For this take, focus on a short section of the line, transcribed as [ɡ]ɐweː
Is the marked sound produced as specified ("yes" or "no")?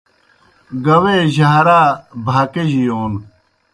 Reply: yes